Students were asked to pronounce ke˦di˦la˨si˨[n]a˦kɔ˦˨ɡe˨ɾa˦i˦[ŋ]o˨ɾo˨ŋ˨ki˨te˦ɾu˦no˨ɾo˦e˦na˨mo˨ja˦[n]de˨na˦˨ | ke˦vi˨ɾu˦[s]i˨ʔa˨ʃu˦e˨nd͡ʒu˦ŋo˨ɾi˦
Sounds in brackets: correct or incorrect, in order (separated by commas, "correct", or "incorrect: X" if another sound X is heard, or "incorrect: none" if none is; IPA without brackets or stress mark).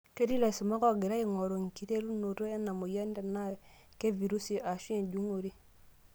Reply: incorrect: m, correct, correct, correct